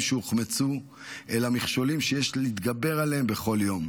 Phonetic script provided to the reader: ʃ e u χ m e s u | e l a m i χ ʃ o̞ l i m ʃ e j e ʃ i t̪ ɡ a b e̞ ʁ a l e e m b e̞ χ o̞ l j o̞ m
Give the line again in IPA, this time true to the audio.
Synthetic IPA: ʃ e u χ m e t͡s u | e l a m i χ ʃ o̞ l i m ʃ e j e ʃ i t̪ ɡ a b e̞ ʁ a l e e m b e̞ χ o̞ l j o̞ m

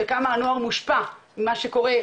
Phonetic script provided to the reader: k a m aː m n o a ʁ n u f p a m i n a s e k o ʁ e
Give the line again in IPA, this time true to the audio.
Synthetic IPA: k a m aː n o a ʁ m u ʃ p a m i m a ʃ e k o ʁ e

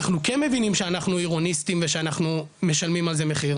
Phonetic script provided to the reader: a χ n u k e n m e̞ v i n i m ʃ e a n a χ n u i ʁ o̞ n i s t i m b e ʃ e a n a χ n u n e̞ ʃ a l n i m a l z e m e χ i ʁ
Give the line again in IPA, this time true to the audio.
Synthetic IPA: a χ n u k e n m e̞ v i n i m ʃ e a n a χ n u i ʁ o̞ n i s t i m v e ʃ e a n a χ n u m e̞ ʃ a l m i m a l z e m e χ i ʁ

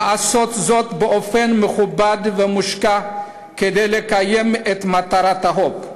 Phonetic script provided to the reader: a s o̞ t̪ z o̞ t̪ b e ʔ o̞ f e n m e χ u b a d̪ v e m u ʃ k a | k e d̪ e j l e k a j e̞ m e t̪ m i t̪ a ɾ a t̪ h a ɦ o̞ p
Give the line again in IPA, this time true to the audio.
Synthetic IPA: a s o̞ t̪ z o̞ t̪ b e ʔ o̞ f e n m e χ u b a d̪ v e m u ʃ k a | k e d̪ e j l e k a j e̞ m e t̪ m a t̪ a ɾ a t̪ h a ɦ o̞ p

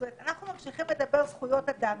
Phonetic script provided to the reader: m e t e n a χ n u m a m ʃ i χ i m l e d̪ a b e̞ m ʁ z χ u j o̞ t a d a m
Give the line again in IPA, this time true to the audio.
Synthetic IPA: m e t a n a χ n u m a m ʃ i χ i m l e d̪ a b e̞ ʁ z χ u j o̞ t a d a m

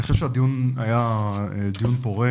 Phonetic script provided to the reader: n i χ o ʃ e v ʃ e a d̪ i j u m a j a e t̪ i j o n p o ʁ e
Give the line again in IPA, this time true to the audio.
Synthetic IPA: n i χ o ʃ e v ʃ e a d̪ i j u n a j a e d̪ i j u n p o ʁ e

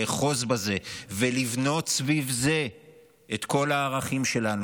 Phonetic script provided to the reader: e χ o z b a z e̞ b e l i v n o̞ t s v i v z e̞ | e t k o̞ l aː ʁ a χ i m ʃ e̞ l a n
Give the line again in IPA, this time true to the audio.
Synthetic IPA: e χ o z b a z e̞ v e l i v n o̞ t s v i v z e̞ | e t k o̞ l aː ʁ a χ i m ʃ e̞ l a n

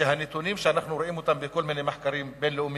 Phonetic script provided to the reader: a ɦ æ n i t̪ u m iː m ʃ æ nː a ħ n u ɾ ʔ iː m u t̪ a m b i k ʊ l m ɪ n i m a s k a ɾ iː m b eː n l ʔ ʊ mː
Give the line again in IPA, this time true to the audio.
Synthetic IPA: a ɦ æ n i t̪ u n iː m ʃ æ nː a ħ n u ɾ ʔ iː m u t̪ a m b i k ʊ l m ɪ n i m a ħ k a ɾ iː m b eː n l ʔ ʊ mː

